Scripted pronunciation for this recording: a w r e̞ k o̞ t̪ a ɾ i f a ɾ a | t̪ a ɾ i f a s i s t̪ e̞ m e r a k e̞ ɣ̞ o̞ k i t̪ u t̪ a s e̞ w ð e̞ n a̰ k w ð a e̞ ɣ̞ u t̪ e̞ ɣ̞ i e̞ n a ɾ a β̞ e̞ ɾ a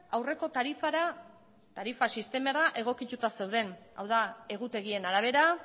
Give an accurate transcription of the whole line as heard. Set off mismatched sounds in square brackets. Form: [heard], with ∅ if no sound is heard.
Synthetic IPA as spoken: a w r e̞ k o̞ t̪ a ɾ i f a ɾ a | t̪ a ɾ i f a s i s t̪ e̞ m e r a [ʔ] e̞ ɣ̞ o̞ k i t̪ u t̪ a s e̞ w ð e̞ n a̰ [∅] w ð a e̞ ɣ̞ u t̪ e̞ ɣ̞ i e̞ n a ɾ a β̞ e̞ ɾ a